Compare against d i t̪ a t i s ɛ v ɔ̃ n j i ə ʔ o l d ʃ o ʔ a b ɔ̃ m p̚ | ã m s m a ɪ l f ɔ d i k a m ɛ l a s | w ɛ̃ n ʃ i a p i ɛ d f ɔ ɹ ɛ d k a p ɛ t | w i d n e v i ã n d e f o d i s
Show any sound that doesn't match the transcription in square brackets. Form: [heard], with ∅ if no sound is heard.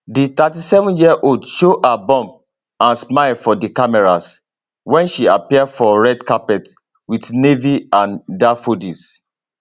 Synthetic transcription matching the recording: d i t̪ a t i s ɛ v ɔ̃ n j i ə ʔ o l d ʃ o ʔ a b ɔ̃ m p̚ | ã [n] s m a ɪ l f ɔ d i k a m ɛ [ɹ] a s | w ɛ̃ n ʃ i a p i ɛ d f ɔ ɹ ɛ d k a p ɛ t | w i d n e v i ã n d [a] f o d i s